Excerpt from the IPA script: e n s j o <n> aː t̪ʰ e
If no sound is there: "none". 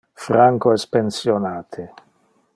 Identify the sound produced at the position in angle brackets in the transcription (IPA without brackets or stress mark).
n